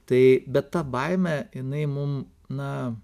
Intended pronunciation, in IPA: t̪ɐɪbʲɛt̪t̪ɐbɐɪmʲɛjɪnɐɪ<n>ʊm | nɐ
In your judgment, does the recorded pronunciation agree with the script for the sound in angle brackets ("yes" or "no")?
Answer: no